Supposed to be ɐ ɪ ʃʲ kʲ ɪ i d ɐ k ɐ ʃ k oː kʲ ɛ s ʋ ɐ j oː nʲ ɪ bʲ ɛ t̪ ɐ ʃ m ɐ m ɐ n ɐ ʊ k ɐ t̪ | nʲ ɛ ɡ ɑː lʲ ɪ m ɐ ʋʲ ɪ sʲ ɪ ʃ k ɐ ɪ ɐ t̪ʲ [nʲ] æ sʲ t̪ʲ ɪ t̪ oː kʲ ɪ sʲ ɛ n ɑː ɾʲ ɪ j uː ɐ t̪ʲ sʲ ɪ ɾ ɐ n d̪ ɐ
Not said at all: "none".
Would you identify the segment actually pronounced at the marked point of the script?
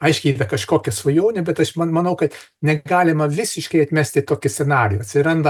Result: mʲ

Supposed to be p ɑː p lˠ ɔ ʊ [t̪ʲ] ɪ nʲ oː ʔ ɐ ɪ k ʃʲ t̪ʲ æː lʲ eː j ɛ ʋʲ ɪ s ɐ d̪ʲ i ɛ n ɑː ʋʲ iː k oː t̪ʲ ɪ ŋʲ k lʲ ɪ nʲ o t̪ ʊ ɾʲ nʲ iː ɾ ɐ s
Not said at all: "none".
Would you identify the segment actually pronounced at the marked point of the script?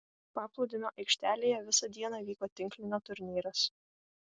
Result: d̪ʲ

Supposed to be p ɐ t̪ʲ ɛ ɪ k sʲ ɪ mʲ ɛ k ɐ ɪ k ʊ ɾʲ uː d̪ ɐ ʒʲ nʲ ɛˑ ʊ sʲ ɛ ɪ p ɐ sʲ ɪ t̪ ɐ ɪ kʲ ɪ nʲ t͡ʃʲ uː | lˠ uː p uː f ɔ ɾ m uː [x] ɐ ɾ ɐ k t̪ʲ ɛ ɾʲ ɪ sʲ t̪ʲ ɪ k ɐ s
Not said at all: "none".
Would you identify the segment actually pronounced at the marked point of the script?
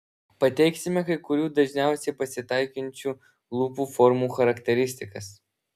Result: x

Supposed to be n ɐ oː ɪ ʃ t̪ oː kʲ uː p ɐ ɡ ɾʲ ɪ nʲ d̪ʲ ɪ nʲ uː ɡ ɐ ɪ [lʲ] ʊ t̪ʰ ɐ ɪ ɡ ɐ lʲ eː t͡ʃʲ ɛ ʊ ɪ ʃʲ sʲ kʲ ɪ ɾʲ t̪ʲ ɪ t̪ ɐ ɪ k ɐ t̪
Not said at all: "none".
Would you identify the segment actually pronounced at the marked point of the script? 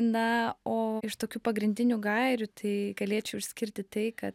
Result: ɾʲ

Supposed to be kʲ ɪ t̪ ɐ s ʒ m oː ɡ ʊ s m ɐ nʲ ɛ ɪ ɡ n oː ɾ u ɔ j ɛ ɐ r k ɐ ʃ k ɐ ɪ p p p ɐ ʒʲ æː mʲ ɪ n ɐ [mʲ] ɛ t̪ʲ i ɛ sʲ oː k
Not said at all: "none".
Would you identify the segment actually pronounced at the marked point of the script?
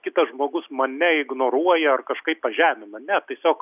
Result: nʲ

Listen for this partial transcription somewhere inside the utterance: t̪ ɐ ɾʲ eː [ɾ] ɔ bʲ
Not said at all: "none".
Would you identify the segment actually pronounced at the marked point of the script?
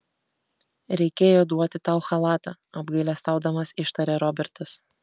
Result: ɾ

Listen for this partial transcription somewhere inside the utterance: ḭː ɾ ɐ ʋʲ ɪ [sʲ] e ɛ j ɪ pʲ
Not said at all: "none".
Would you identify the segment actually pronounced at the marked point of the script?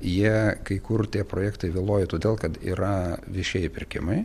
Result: ʃʲ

